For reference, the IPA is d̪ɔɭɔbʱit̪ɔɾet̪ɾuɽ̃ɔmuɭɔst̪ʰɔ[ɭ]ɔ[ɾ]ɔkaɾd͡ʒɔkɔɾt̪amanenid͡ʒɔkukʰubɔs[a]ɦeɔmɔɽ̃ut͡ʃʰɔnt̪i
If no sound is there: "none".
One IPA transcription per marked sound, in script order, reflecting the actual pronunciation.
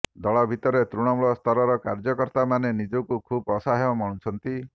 ɾ, ɾ, a

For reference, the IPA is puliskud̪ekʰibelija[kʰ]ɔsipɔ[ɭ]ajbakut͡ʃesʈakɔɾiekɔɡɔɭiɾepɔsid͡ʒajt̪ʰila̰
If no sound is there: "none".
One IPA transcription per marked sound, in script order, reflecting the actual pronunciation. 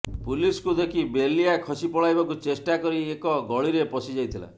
kʰ, ɭ

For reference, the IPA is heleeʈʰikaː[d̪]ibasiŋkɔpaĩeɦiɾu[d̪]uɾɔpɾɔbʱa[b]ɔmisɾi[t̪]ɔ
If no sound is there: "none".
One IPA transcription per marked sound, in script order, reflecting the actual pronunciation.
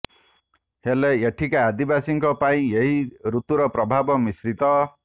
d̪, t̪, b, t̪

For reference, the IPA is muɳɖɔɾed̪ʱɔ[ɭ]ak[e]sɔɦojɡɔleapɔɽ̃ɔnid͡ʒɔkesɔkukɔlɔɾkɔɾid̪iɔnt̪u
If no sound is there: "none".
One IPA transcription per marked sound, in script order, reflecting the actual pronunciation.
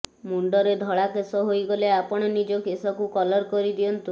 ɭ, e

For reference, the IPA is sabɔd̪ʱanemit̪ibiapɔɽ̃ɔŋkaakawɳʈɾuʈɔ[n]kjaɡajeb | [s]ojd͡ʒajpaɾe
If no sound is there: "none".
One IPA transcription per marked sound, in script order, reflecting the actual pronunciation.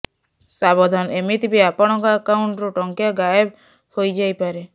ŋ, h

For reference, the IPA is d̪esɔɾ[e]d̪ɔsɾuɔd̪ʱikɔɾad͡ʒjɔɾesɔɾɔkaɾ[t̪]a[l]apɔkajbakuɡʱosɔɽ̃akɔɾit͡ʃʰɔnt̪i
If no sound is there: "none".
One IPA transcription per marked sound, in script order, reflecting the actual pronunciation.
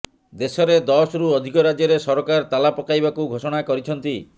e, t̪, l

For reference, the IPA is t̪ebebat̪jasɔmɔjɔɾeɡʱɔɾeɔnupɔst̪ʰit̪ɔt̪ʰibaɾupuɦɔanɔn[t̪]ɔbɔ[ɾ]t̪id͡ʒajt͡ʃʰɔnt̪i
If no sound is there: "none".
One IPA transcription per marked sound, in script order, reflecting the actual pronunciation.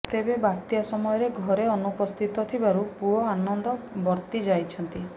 d̪, ɾ

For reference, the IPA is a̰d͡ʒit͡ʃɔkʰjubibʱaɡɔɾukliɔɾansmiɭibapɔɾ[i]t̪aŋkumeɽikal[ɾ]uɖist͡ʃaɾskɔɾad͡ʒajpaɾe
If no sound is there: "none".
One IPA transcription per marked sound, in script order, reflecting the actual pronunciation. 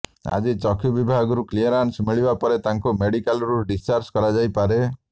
e, ɾ

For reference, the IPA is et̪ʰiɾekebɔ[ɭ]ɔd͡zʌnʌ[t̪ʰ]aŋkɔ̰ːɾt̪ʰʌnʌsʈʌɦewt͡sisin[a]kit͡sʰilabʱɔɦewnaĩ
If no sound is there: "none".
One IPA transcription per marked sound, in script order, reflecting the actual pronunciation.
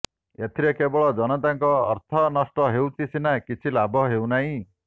ɭ, t̪, a

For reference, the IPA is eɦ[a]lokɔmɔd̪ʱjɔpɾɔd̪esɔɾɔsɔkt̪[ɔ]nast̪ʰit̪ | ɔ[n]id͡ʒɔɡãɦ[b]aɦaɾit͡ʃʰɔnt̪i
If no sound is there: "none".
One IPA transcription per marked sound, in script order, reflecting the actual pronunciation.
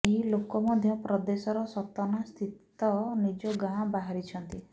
i, ɔ, n, b

